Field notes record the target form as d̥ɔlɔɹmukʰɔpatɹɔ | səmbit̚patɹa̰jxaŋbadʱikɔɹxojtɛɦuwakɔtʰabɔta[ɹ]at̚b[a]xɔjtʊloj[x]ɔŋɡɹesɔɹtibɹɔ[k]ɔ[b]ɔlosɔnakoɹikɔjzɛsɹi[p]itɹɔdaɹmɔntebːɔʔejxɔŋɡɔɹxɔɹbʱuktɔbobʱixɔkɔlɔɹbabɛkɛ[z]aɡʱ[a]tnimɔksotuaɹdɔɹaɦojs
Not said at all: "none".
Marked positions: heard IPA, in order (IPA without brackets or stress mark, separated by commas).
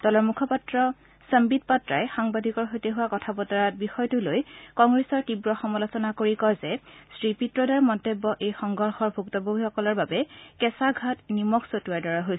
ɹ, i, k, x, m, p, s, a